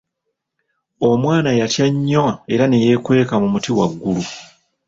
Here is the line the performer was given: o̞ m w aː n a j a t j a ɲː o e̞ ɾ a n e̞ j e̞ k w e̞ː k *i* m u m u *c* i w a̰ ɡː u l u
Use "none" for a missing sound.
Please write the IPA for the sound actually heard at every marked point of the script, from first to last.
a, t

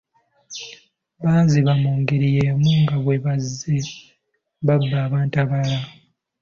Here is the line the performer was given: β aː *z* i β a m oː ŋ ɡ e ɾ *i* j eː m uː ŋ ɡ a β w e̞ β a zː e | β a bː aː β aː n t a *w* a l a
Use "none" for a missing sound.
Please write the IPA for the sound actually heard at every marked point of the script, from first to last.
z, i, β

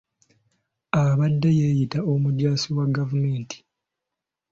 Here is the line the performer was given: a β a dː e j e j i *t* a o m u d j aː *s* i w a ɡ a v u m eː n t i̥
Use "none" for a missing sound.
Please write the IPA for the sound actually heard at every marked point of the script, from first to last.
t, s

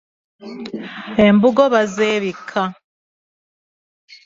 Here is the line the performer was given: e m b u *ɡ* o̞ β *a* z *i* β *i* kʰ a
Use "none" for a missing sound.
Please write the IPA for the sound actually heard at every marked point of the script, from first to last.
ɡ, a, e, i

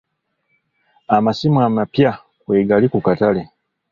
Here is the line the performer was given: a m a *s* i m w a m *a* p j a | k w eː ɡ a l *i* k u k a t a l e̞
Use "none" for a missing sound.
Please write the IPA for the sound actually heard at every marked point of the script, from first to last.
s, a, i

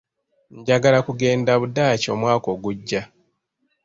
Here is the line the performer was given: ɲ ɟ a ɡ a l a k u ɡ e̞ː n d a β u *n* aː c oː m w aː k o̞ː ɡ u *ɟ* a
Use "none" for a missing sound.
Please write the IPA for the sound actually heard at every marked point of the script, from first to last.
d, ɟː

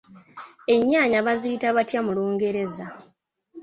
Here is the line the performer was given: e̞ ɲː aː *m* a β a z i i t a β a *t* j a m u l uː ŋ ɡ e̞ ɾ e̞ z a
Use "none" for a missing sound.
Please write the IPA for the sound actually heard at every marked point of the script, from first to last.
ɲ, t

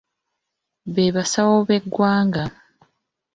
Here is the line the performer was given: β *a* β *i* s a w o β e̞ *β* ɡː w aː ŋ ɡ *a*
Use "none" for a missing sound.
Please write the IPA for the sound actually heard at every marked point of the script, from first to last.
e, a, none, a

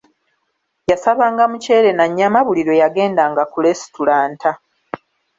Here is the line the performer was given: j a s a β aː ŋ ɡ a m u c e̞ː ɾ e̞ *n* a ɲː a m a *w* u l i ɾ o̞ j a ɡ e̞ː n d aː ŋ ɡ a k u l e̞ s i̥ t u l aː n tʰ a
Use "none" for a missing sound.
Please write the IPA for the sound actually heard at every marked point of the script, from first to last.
n, β

